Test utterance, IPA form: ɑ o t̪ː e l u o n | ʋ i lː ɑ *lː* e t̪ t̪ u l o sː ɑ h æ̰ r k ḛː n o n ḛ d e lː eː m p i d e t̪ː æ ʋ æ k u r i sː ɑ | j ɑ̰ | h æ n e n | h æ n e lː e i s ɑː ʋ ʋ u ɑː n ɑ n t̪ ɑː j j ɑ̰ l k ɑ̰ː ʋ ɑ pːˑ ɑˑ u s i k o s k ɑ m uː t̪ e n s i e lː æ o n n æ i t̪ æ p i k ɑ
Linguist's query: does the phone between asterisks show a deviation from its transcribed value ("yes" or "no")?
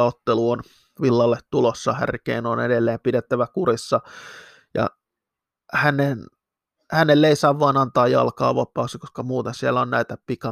no